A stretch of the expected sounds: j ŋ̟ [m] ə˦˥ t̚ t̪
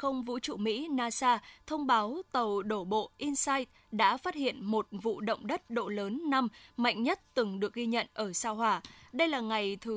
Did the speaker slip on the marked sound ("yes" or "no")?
yes